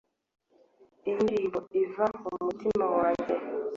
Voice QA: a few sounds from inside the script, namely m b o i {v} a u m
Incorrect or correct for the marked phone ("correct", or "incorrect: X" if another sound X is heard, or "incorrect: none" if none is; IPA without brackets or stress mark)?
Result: correct